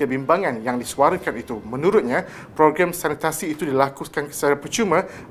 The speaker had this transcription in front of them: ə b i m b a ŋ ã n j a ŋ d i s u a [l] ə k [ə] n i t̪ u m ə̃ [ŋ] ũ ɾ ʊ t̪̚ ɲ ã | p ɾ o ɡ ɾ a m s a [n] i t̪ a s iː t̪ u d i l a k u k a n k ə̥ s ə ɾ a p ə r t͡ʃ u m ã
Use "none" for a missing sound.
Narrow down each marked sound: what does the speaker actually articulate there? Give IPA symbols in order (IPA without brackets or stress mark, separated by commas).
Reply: ɾ, a, n, n